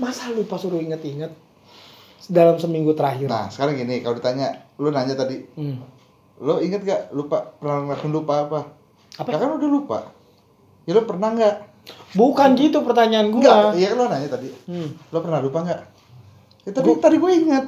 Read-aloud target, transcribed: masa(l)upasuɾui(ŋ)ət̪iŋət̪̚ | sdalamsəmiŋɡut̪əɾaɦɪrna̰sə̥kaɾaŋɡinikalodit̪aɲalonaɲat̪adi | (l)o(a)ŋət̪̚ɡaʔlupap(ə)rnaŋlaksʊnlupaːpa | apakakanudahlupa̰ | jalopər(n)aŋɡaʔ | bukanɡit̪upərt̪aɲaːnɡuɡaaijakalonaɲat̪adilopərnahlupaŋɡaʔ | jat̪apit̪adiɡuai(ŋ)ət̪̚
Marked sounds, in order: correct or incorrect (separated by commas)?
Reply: correct, correct, correct, incorrect, correct, correct, correct